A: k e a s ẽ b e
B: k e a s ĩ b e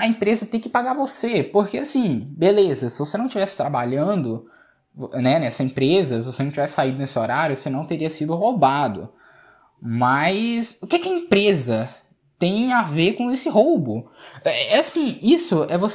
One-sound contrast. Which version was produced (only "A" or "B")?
B